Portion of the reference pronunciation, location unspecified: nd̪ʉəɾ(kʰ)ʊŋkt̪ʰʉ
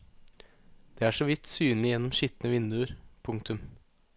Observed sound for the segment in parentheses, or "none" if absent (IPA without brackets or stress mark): pʰ